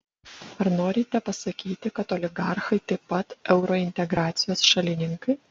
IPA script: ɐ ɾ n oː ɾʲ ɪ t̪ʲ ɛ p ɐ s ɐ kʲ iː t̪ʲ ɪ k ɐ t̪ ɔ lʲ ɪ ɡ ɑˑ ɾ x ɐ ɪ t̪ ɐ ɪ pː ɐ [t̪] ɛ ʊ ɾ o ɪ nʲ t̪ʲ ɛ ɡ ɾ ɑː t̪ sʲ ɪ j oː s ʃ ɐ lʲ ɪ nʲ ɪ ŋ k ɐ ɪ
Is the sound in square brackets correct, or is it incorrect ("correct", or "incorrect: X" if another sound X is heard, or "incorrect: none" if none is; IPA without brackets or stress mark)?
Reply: correct